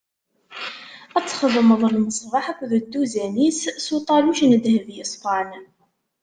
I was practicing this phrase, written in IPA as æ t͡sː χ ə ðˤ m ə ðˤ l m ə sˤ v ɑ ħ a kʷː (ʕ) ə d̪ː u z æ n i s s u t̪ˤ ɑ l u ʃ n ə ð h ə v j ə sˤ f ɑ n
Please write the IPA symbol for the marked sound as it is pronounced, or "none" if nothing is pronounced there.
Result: ð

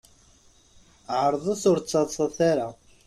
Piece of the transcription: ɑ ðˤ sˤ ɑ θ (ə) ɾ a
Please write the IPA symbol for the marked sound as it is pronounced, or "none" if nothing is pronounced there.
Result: a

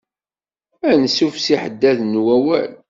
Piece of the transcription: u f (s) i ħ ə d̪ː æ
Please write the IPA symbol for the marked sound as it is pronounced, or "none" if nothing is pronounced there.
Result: s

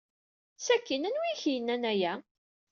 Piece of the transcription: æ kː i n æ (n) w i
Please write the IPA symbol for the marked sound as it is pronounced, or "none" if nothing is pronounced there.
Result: n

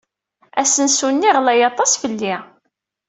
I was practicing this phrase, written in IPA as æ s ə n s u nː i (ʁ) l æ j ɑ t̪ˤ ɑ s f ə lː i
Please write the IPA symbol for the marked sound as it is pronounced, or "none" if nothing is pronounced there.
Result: ʁ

